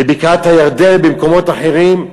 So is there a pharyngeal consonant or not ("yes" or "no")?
yes